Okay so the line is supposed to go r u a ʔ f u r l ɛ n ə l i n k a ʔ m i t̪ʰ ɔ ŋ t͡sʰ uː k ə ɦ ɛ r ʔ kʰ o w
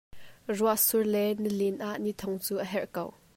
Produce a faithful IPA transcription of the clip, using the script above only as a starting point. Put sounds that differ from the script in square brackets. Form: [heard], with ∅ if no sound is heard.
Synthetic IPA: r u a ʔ [s] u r l ɛ n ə l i n [ʔ] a ʔ [n] i t̪ʰ ɔ ŋ [t͡s] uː [ʔ] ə ɦ ɛ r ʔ [k] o w